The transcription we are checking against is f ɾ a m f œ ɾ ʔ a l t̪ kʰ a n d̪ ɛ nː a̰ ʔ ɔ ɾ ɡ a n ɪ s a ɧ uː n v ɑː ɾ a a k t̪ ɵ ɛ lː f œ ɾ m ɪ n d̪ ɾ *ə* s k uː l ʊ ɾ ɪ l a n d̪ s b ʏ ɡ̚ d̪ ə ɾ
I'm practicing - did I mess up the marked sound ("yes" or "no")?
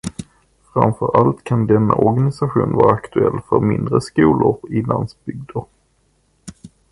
no